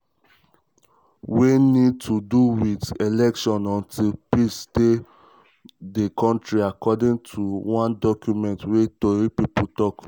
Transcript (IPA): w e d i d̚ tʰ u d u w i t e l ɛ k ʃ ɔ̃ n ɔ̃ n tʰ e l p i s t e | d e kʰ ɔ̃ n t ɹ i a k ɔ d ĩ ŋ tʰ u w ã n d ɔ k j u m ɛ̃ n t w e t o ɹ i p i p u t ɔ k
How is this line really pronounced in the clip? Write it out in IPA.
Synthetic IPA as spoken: w e n i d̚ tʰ u d u w i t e l ɛ k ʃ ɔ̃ n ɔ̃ n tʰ i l p i s t e | d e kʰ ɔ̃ n t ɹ i a k ɔ d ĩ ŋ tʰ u w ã n d ɔ k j u m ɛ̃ n t w e t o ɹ i p i p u t ɔ k